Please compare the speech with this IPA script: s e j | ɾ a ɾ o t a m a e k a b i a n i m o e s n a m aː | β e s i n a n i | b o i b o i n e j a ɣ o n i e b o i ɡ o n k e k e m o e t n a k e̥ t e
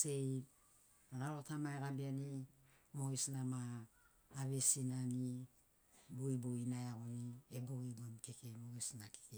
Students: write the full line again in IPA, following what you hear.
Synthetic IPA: s e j | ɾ a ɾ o t a m a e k a b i a n i m o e s n a m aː | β e s i n a n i | b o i b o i n a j a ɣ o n i e b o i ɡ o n k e k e m o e s n a k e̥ k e